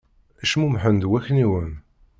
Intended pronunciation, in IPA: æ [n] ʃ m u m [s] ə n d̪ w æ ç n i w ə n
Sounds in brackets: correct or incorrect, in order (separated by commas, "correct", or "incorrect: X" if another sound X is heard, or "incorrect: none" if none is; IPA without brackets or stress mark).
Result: incorrect: none, incorrect: ħ